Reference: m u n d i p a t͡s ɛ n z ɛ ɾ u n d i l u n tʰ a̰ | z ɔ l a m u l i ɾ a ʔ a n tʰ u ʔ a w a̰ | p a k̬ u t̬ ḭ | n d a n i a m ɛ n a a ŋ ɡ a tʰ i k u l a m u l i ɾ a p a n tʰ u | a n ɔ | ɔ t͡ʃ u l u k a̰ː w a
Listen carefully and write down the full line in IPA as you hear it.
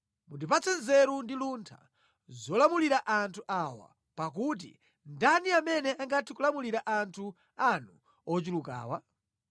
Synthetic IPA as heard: m u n d i p a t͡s ɛ n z ɛ ɾ u n d i l u n tʰ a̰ | z ɔ l a m u l i ɾ a ʔ a n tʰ u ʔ a w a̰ | p a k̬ u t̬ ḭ | n d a n i a m ɛ n ɛ a ŋ ɡ a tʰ i k u l a m u l i ɾ a ʔ a n tʰ u | a n u | ɔ t͡ʃ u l u k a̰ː w a